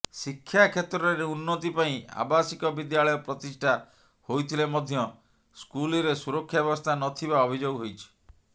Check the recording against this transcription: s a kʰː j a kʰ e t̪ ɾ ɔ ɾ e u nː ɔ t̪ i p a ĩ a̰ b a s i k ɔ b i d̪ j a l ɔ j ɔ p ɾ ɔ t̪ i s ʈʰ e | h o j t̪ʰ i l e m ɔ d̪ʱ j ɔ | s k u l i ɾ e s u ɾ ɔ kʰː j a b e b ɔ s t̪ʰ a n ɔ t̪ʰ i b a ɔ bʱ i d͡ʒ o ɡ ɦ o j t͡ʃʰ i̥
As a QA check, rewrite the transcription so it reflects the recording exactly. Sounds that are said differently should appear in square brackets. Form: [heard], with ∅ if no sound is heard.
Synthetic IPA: s [i] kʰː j a kʰ e t̪ ɾ ɔ ɾ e u nː ɔ t̪ i p a ĩ a̰ b a s i k ɔ b i d̪ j a [ɭ] ɔ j ɔ p ɾ ɔ t̪ i s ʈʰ [a] | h o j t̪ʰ i l e m ɔ d̪ʱ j ɔ | s k u l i ɾ e s u ɾ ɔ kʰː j a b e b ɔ s t̪ʰ a n ɔ t̪ʰ i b a ɔ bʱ i d͡ʒ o ɡ ɦ o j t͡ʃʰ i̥